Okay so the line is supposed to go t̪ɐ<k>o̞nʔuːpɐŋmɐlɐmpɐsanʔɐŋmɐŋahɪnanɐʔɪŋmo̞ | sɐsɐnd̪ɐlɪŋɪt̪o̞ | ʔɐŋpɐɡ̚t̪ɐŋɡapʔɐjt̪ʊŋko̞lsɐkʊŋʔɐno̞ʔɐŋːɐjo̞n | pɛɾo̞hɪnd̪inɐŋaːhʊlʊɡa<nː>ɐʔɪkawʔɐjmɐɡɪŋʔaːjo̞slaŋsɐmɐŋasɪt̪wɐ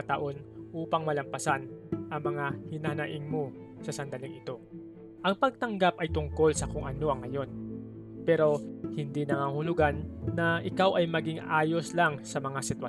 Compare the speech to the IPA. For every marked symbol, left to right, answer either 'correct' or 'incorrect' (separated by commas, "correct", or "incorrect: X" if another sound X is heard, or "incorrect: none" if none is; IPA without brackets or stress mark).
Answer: incorrect: ʔ, correct